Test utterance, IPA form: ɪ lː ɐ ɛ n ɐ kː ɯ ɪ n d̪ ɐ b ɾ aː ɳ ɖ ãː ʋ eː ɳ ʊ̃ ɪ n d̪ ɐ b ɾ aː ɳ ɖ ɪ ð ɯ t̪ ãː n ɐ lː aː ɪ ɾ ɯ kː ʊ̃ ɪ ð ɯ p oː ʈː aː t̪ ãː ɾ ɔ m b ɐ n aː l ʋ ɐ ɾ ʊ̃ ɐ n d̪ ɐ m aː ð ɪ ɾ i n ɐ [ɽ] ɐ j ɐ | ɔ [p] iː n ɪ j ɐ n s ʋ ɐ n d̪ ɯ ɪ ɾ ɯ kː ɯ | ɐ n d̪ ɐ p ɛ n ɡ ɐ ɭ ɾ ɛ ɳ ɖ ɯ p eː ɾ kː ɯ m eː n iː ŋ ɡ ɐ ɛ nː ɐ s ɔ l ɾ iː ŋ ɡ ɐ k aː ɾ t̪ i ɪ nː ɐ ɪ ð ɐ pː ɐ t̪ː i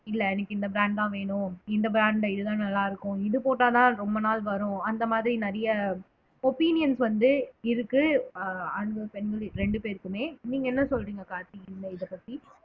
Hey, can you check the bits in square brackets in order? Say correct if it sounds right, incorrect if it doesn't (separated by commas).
incorrect, correct